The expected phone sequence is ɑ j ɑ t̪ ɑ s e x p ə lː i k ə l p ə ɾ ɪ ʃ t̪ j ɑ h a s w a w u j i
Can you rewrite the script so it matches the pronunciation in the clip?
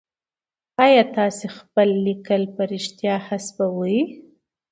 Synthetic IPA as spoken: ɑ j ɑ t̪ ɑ s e x p ə lː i k ə l p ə ɾ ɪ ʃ t̪ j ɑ h a s b a w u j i